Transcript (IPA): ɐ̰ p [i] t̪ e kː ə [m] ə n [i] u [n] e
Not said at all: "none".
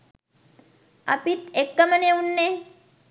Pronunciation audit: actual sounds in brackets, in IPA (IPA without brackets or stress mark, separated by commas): i, m, e, nː